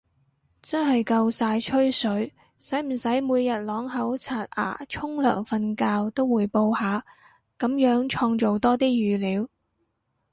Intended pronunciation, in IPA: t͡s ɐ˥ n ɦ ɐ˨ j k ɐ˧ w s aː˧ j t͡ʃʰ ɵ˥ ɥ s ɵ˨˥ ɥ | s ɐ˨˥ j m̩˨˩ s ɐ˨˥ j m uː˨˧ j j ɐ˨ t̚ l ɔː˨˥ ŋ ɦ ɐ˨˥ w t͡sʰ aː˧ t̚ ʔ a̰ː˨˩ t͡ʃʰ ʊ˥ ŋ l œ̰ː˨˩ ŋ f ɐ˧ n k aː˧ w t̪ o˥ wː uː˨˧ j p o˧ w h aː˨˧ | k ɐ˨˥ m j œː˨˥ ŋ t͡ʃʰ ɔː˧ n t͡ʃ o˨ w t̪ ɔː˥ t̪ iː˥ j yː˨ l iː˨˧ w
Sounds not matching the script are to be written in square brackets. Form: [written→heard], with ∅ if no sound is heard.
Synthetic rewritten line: t͡s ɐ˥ n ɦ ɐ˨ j k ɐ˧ w s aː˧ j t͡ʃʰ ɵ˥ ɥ s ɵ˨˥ ɥ | s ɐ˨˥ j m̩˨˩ s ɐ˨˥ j m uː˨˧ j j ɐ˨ t̚ l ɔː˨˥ ŋ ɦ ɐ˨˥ w t͡sʰ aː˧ t̚ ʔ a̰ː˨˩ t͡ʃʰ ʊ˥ ŋ l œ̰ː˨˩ ŋ f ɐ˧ n k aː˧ w t̪ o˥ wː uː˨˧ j p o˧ w h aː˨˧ | k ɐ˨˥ m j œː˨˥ ŋ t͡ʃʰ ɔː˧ [n→ŋ] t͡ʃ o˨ w t̪ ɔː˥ t̪ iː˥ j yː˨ l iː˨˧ w